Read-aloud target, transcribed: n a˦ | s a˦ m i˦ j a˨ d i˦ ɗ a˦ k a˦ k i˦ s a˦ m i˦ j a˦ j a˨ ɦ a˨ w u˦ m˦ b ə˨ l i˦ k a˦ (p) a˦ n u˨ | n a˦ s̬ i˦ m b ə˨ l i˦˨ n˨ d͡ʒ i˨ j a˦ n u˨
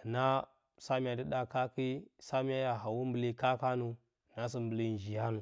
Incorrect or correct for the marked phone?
incorrect: k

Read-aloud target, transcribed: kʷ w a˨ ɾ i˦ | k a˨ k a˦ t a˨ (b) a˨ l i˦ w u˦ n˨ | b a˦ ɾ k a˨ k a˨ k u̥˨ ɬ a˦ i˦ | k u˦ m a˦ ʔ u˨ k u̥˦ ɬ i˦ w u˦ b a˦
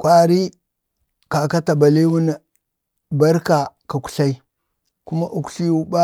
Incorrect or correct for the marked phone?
correct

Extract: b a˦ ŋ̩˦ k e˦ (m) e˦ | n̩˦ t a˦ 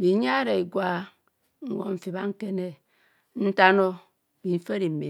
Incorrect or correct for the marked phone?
incorrect: n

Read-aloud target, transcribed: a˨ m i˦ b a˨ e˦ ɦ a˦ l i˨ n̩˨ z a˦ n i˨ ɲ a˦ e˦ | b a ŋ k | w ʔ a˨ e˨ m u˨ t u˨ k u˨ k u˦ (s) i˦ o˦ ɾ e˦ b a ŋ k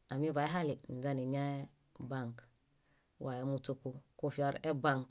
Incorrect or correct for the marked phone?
incorrect: f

